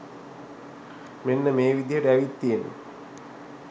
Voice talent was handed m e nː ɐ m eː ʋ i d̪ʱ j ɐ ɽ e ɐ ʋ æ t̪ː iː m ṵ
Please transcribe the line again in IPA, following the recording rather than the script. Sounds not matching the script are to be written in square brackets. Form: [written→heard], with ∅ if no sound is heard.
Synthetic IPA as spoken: m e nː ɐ m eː ʋ i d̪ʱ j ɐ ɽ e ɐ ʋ [æ→i] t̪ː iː [m→n] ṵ

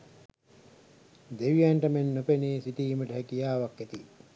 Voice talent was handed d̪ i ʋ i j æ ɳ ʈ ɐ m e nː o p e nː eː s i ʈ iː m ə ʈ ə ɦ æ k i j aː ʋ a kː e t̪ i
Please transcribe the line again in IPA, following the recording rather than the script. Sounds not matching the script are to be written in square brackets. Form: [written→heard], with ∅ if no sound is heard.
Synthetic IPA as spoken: d̪ [i→e] ʋ i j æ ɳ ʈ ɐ m e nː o p e [nː→n] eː s i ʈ iː m ə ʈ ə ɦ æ k i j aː ʋ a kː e t̪ i

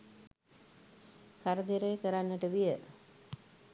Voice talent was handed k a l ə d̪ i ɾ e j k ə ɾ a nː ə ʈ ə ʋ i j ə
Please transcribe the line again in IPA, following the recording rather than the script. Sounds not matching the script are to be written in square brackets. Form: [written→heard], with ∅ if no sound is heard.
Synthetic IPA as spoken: k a [l→ɾ] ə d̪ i ɾ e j k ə ɾ a nː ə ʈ ə ʋ i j ə

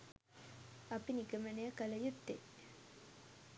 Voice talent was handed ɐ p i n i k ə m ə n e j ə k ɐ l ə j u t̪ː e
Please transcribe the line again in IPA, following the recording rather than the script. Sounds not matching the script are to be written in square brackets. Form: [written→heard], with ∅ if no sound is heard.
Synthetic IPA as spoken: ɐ p i n i k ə m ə n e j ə k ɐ l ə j u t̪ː e

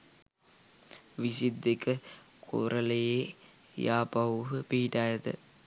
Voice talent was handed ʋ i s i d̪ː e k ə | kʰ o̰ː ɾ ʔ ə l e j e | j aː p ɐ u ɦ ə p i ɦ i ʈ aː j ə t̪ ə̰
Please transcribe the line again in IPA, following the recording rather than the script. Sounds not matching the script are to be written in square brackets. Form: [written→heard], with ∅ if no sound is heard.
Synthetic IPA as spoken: ʋ i s i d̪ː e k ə | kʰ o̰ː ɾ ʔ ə l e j e | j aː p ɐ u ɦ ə p i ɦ i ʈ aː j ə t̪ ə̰

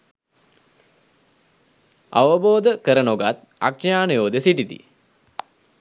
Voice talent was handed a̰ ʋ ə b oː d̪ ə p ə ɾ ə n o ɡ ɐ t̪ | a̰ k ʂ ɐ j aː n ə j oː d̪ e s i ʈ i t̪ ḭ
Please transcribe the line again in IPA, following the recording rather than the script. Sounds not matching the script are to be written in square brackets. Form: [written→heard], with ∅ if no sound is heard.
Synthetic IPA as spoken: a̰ ʋ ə b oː d̪ ə [p→k] ə ɾ ə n o ɡ [ɐ→a] t̪ | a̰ k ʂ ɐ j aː n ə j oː d̪ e s i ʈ i t̪ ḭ

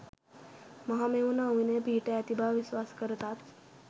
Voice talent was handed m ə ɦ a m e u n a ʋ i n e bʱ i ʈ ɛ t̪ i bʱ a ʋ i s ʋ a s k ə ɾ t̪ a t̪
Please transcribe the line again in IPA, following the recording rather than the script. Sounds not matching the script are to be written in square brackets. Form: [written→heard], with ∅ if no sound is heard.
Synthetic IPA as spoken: m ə ɦ a m e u n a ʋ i n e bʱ i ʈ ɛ t̪ i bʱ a ʋ i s ʋ a s k ə ɾ t̪ a t̪

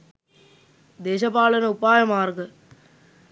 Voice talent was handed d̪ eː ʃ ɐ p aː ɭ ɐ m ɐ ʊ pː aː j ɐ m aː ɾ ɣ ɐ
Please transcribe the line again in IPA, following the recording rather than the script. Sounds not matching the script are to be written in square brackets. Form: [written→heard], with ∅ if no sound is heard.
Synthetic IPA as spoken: d̪ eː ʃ ɐ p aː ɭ ɐ [m→n] ɐ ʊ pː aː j ɐ m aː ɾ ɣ ɐ

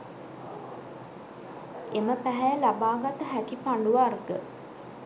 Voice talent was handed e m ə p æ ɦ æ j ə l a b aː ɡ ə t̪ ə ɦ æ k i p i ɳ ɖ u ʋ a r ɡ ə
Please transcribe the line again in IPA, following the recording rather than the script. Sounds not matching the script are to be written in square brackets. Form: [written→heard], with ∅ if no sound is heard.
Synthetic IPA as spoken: e m ə p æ ɦ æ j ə l a b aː ɡ [ə→a] t̪ ə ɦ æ k i p [i→a] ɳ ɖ u ʋ a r ɡ ə

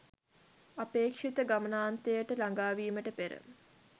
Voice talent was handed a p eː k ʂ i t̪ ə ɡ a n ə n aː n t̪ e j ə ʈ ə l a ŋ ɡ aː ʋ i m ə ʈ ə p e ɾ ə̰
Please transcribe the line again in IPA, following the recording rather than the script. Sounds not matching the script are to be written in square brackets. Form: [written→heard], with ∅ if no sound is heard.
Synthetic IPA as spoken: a p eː k ʂ i t̪ ə ɡ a [n→m] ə n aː n t̪ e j ə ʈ ə l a ŋ ɡ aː ʋ [i→iː] m ə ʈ ə p e ɾ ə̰

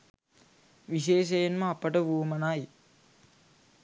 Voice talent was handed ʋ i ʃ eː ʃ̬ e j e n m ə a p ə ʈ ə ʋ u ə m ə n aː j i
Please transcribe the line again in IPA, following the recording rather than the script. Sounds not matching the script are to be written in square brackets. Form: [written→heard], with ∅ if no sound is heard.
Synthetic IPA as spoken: ʋ i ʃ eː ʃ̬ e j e n m ə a p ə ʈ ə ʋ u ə m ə n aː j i

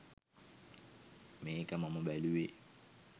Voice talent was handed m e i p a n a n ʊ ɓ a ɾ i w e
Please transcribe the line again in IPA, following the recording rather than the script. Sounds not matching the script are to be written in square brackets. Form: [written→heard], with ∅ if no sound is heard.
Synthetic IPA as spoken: m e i [p→k] a [n→m] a [n→m] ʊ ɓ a [ɾ→l] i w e

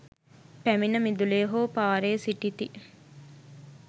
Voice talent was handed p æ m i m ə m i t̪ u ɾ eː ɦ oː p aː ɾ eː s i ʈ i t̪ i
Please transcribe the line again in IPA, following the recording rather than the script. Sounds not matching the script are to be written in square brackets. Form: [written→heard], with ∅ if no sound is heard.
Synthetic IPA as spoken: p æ m i [m→n] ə m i [t̪→d̪] u [ɾ→l] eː ɦ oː p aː ɾ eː s i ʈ i t̪ i

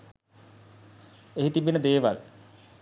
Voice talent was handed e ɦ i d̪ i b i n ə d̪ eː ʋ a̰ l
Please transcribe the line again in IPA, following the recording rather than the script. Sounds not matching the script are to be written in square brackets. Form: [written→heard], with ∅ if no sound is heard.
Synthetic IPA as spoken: e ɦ i [d̪→t̪] i b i n ə d̪ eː ʋ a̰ l

